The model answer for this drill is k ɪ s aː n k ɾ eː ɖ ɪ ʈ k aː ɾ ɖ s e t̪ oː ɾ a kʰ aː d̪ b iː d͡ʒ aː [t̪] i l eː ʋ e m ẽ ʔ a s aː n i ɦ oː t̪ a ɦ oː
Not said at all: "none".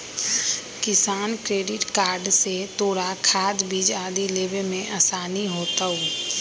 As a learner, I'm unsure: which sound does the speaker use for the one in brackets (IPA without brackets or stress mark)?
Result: d̪